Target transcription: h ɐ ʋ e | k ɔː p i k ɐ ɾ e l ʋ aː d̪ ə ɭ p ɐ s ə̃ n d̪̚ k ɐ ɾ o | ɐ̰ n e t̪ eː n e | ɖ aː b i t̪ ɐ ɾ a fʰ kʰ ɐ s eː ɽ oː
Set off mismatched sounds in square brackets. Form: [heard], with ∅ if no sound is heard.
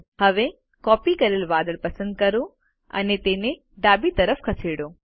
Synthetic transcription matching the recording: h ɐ ʋ e | k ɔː p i k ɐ ɾ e l ʋ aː d̪ ə ɭ p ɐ s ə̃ n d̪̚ k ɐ ɾ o | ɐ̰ n e t̪ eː n e | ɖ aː b i t̪ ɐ ɾ [ə] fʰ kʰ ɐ s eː ɽ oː